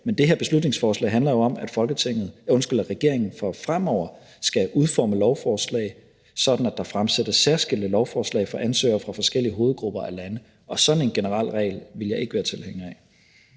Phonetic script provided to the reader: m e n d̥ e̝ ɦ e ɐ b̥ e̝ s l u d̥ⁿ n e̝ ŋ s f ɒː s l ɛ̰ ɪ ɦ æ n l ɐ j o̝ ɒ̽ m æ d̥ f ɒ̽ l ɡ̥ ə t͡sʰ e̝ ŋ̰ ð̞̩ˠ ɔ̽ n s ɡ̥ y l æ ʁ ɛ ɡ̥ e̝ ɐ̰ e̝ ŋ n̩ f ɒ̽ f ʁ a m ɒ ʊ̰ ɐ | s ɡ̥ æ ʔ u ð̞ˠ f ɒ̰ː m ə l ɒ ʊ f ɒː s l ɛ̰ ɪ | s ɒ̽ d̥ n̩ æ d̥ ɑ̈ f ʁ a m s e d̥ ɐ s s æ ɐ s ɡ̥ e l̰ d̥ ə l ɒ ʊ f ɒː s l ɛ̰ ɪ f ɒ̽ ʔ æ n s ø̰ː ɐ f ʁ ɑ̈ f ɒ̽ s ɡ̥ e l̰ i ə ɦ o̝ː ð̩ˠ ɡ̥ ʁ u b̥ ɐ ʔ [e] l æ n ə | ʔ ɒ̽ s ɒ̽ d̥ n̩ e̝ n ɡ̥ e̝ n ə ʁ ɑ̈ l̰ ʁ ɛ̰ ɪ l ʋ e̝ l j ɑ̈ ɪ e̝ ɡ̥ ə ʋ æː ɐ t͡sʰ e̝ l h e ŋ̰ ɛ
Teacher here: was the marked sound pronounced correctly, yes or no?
no